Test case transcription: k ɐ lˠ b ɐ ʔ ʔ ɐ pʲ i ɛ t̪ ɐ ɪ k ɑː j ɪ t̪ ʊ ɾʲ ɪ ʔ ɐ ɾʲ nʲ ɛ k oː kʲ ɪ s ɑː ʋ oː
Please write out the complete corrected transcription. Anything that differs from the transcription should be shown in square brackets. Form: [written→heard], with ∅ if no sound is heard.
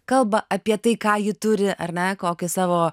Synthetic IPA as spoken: k ɐ lˠ b ɐ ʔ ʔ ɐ pʲ i ɛ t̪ ɐ ɪ k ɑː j ɪ t̪ ʊ ɾʲ ɪ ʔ ɐ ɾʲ nʲ ɛ k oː kʲ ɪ s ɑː ʋ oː